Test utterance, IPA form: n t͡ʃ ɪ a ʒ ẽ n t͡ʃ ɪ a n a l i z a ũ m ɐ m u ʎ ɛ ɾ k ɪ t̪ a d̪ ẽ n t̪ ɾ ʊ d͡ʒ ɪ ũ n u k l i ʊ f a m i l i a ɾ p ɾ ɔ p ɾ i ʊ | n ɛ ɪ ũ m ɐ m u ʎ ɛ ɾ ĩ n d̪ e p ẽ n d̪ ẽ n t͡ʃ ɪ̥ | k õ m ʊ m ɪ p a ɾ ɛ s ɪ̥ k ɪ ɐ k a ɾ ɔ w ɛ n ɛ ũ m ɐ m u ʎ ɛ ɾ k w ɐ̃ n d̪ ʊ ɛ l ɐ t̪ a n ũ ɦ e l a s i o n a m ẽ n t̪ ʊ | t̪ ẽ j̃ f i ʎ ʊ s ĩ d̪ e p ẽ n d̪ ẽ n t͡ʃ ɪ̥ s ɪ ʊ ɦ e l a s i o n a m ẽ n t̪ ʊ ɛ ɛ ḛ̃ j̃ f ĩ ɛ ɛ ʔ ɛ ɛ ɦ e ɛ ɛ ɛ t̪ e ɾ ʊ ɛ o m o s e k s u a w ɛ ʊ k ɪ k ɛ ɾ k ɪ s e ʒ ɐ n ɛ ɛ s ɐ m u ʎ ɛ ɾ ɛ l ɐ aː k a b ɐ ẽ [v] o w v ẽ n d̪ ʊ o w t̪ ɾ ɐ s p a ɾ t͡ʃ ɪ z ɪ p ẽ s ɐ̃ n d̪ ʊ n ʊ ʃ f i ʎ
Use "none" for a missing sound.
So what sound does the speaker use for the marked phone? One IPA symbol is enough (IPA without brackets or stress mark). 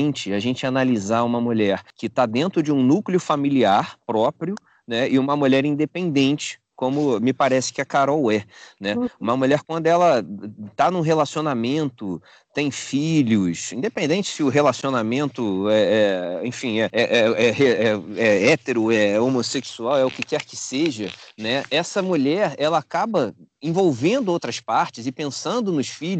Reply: v